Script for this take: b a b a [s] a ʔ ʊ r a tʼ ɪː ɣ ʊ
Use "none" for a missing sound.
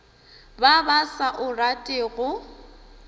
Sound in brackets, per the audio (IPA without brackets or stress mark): s